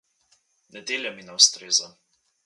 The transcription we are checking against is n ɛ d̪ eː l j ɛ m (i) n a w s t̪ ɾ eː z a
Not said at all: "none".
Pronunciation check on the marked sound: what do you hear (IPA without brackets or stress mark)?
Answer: i